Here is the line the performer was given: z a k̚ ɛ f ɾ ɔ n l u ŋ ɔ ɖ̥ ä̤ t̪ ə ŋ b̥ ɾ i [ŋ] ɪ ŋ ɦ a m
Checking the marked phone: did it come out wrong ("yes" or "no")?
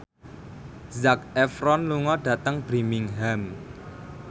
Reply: yes